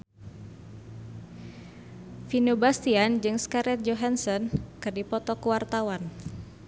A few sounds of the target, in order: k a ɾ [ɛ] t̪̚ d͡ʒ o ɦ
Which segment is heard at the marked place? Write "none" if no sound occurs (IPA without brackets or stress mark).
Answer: ɛ